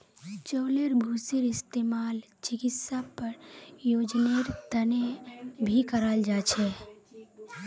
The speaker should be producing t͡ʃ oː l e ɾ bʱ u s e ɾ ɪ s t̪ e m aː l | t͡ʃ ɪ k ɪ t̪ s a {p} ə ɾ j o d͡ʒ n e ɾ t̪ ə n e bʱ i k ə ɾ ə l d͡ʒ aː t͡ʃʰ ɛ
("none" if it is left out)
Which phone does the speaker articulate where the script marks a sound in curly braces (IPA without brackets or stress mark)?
p